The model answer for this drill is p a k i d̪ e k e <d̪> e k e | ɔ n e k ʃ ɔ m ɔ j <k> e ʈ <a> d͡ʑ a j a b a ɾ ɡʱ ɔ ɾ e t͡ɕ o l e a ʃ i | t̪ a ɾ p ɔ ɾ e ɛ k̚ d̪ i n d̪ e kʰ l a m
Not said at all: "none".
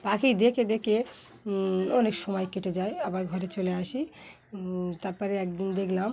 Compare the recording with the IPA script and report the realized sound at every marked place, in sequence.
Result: d̪, k, e

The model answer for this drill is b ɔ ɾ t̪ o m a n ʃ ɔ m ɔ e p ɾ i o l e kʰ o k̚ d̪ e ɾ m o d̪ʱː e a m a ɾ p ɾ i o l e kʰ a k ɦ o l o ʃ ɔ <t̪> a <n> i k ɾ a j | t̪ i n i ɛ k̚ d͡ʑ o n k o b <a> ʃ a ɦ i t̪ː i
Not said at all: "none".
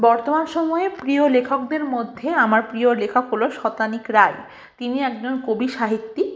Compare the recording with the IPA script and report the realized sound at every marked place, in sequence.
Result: t̪, n, i

